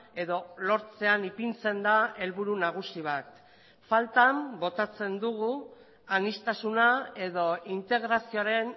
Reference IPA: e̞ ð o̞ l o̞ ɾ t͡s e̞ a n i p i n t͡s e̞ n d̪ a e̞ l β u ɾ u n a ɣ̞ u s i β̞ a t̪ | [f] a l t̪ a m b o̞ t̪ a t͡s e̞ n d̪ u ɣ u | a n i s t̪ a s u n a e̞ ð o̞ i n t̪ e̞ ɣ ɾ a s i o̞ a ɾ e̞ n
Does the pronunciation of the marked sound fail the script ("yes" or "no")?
no